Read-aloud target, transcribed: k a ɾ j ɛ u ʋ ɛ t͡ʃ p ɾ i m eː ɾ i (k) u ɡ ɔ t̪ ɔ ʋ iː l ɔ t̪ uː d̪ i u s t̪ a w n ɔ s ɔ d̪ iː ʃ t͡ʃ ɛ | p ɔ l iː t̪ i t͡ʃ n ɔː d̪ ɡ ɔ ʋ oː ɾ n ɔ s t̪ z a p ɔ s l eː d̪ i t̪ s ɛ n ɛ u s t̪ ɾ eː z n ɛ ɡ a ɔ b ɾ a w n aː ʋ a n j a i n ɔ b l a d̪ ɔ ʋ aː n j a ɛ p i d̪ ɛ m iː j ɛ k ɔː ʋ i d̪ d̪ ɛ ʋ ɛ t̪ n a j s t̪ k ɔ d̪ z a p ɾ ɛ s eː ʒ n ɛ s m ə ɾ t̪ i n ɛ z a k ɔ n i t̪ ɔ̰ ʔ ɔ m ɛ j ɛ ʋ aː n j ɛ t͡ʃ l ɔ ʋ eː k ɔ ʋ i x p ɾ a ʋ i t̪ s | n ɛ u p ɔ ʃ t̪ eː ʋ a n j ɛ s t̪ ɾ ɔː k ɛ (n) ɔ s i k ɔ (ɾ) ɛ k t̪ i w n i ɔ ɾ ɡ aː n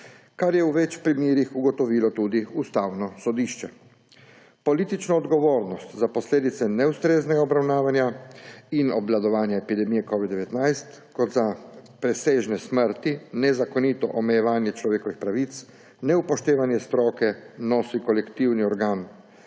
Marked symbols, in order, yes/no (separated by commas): no, yes, no